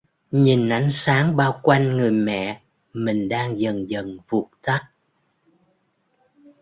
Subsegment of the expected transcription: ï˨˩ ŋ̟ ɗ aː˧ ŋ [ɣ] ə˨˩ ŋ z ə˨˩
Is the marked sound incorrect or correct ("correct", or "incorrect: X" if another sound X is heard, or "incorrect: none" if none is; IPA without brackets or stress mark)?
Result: incorrect: z